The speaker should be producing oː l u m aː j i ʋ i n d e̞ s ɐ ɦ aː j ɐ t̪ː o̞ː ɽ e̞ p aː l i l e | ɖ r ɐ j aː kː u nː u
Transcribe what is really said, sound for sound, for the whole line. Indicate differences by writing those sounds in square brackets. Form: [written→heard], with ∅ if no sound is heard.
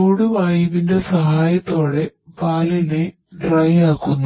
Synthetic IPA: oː [l→ɽ] u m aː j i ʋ i n d e̞ s ɐ ɦ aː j ɐ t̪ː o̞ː ɽ e̞ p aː l i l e | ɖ r ɐ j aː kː u nː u